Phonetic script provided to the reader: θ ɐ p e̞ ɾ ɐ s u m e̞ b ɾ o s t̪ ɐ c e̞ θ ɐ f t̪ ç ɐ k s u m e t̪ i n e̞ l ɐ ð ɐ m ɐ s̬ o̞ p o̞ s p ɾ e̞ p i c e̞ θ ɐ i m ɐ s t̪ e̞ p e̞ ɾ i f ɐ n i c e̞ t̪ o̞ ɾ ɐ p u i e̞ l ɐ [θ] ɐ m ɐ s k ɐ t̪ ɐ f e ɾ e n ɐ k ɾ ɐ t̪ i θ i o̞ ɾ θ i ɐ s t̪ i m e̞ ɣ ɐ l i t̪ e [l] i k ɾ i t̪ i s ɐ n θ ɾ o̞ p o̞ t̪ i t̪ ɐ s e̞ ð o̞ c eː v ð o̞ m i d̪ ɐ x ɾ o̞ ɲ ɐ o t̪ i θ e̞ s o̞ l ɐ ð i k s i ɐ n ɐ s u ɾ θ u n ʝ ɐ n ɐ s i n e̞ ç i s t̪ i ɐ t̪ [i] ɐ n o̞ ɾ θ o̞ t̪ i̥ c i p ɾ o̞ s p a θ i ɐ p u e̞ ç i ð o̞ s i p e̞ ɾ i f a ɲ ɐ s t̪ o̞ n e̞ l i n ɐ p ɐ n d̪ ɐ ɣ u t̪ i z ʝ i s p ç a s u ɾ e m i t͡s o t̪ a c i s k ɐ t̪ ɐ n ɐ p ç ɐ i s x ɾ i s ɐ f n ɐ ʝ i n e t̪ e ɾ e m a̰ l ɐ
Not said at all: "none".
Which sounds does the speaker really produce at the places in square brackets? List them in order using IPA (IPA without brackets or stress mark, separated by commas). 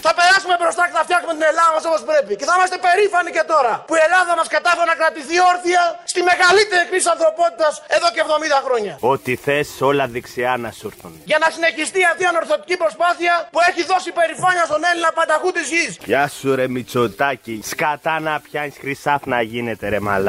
ð, ɾ, i